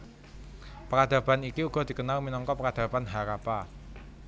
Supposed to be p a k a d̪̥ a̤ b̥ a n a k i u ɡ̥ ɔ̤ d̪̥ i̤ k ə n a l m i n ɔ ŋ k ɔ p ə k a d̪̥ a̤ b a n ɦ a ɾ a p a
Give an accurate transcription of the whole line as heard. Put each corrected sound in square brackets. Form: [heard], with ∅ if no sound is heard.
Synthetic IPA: p [ə] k a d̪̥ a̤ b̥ a n [i] k i u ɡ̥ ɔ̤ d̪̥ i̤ k ə n a l m i n ɔ ŋ k ɔ p ə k a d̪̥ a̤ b a n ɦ a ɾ a p a